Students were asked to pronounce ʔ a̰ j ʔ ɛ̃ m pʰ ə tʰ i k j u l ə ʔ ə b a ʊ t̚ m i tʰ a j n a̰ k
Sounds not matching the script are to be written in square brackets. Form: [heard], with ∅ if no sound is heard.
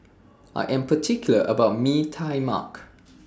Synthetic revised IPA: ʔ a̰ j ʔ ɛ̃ m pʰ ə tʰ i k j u l ə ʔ ə b a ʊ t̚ m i tʰ a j [m] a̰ k